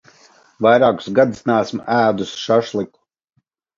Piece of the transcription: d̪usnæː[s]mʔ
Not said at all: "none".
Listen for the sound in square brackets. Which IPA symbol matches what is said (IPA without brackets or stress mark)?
s